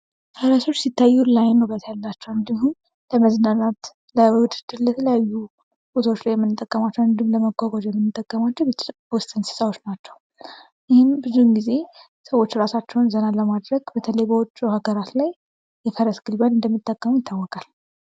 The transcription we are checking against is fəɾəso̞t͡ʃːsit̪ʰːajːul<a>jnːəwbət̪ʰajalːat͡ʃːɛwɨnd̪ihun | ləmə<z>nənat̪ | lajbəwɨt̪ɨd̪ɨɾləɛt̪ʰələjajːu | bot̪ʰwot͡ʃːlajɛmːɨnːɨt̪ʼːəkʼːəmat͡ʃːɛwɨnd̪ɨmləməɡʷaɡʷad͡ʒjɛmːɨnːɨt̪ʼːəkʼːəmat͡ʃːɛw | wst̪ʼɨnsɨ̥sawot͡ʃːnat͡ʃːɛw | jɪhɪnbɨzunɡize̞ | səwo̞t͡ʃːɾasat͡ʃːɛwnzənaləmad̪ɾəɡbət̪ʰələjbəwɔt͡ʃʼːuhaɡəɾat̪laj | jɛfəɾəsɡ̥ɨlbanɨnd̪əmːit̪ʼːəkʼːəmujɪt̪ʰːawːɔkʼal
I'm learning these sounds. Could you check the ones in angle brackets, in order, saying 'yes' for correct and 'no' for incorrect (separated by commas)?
yes, yes